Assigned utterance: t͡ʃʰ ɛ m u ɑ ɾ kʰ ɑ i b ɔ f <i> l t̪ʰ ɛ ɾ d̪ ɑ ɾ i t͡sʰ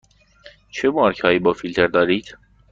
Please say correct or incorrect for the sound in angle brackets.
correct